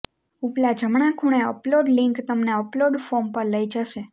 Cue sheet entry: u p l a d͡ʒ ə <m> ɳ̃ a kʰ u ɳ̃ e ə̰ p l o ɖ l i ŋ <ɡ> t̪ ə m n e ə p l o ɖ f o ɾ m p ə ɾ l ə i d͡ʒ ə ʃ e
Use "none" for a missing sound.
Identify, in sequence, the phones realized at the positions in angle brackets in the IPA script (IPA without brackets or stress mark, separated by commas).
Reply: m, k